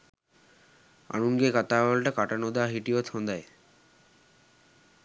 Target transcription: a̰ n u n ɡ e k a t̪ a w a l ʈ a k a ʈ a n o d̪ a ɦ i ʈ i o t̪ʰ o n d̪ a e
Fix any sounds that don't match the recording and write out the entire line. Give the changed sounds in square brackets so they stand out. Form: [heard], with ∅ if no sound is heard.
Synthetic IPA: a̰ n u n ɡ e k a t̪ a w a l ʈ a k a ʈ a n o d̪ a ɦ i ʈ i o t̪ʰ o n d̪ a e